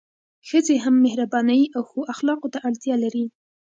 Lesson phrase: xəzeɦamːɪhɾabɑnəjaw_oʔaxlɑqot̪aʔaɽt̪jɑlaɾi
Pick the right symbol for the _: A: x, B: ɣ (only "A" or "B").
A